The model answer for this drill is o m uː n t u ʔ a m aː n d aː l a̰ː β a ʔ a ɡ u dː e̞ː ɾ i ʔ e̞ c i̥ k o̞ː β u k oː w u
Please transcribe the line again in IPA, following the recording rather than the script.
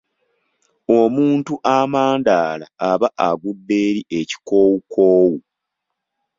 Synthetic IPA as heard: o m uː n t u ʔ a m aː n d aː l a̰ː β a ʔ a ɡ u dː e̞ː ɾ i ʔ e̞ c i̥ k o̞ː w u k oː w u